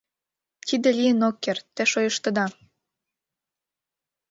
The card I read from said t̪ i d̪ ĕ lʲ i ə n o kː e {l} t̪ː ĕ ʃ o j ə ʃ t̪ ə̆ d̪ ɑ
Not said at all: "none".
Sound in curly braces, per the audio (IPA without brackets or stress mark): r